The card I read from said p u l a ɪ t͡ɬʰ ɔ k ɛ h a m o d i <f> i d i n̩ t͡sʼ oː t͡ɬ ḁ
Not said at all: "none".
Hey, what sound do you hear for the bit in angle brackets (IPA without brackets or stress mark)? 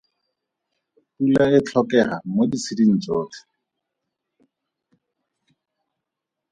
s